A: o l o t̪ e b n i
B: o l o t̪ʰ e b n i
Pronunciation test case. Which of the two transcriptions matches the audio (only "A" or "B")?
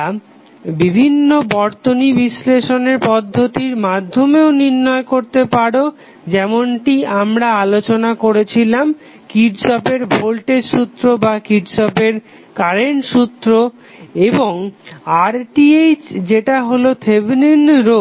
B